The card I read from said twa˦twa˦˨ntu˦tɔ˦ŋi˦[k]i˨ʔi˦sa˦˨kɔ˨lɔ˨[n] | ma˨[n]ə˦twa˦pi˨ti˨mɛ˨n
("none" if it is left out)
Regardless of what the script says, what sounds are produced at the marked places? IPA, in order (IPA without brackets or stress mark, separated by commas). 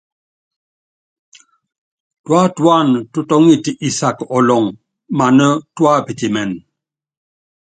t, ŋ, n